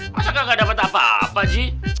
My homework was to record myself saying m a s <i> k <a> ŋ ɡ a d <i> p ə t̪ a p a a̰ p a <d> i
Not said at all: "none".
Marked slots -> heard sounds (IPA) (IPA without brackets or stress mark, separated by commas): a, a, a, d͡ʒ